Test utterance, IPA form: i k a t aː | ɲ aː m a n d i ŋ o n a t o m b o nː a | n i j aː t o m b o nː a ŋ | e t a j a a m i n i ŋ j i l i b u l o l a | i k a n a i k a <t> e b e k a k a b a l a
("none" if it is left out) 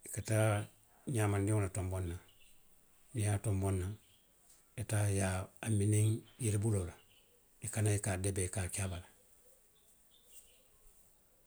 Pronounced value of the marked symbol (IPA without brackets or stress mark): d